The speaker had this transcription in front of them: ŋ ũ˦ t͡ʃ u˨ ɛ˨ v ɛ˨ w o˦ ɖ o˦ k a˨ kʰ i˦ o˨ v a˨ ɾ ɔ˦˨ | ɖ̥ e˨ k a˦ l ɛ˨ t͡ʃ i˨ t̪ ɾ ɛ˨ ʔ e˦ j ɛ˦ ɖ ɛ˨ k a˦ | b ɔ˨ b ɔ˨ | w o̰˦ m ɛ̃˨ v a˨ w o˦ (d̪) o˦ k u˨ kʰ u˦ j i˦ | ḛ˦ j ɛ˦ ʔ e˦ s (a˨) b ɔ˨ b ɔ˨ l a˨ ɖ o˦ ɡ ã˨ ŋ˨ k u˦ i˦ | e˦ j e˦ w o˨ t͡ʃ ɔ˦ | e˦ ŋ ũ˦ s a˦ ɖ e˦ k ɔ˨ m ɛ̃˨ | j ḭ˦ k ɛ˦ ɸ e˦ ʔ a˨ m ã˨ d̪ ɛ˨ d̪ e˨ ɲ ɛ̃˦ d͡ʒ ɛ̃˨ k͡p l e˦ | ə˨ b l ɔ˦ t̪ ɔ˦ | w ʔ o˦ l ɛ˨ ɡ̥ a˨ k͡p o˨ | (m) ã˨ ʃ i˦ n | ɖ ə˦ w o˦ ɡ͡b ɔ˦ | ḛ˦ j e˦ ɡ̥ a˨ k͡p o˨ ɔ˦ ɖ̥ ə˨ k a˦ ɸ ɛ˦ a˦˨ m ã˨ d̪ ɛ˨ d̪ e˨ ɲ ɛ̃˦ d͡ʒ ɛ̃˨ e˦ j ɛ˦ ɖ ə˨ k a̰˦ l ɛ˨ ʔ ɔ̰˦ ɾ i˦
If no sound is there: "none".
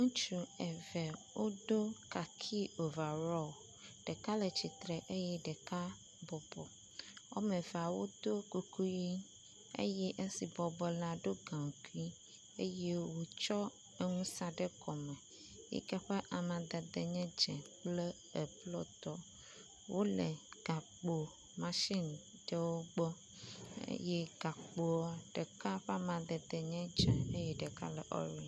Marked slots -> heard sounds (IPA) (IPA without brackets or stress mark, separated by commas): d̪, i˨, m